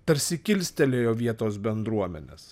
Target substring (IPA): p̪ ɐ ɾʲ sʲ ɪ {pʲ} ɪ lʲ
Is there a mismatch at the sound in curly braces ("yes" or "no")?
yes